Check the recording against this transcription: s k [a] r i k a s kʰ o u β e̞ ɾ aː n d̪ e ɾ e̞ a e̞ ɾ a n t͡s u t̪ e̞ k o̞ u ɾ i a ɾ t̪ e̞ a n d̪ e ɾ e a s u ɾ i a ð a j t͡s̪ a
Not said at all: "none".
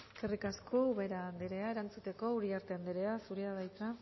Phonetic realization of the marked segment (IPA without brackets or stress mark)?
e